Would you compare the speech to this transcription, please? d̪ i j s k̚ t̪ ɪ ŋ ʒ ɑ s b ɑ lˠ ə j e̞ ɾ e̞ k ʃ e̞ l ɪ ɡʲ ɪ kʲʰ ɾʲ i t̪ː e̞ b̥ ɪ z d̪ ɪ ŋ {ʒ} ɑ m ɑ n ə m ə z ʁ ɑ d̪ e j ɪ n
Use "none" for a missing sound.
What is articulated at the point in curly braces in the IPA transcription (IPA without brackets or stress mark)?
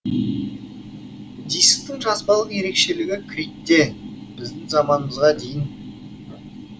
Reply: z